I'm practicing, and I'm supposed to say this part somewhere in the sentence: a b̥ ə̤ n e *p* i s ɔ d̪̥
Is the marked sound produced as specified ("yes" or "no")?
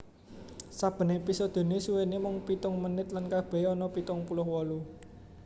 yes